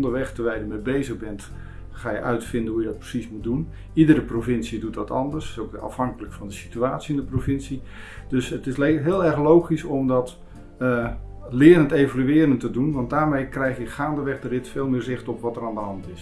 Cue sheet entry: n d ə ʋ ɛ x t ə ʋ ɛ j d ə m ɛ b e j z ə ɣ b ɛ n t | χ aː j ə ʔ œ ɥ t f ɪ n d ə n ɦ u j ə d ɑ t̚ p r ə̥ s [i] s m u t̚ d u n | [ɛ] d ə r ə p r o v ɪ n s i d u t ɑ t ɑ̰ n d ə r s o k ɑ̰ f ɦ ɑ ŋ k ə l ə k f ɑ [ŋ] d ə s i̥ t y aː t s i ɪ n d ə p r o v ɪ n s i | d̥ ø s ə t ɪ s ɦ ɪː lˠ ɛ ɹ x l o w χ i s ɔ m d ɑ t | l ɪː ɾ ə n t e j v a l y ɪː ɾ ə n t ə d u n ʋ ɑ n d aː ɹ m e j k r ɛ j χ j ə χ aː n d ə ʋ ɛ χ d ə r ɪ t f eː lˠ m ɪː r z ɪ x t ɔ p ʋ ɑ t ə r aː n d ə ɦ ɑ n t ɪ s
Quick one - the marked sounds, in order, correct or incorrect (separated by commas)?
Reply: correct, incorrect, incorrect